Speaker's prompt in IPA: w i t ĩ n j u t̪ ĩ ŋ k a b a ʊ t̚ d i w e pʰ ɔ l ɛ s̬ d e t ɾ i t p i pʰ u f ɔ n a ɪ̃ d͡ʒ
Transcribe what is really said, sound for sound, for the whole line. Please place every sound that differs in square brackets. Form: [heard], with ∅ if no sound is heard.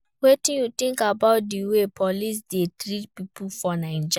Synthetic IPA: w [e] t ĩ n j u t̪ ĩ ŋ k a b a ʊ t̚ d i w e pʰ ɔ l [i] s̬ d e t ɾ i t p i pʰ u f ɔ n a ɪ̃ d͡ʒ